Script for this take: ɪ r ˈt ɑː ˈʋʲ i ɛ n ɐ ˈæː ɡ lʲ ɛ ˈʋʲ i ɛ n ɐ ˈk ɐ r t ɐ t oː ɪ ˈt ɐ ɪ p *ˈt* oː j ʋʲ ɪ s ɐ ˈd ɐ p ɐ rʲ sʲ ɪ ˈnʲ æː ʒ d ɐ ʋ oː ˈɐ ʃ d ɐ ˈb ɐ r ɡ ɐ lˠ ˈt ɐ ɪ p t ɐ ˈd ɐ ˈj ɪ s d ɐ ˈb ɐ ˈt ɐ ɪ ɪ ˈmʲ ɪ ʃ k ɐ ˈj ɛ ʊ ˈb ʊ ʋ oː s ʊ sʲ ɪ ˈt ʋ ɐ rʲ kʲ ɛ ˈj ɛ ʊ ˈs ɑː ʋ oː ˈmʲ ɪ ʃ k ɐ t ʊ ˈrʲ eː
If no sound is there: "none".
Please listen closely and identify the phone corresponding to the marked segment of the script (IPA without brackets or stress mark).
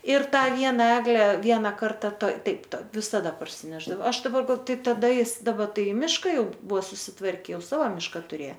t